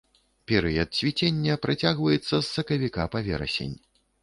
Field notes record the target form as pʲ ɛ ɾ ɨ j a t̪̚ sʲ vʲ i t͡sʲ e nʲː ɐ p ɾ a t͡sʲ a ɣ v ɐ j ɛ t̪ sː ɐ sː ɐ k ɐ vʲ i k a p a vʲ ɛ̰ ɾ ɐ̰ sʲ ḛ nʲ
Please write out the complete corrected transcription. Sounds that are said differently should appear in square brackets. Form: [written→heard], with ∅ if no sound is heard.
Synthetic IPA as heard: pʲ ɛ ɾ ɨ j [a→ɐ] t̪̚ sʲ vʲ i t͡sʲ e nʲː ɐ p ɾ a t͡sʲ a ɣ v ɐ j ɛ t̪ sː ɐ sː ɐ k ɐ vʲ i k a p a vʲ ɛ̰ ɾ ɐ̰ sʲ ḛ nʲ